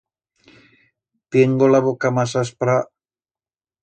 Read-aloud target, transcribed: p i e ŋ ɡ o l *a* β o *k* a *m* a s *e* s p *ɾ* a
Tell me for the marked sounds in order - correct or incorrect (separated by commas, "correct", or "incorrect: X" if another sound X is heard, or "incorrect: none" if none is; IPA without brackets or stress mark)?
correct, correct, correct, incorrect: a, correct